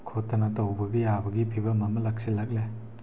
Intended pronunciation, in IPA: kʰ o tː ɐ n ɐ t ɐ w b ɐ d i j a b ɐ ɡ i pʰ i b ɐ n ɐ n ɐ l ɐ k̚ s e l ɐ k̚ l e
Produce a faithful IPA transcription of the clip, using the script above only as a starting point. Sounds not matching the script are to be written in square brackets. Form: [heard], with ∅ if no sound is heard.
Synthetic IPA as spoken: kʰ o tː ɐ n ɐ t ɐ w b ɐ [ɡ] i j a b ɐ ɡ i pʰ i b ɐ [m] ɐ [m] ɐ l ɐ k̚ s [i] l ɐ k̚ l e